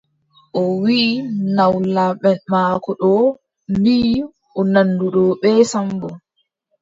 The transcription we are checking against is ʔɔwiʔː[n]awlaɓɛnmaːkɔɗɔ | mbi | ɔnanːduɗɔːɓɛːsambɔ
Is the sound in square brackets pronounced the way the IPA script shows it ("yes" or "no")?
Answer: yes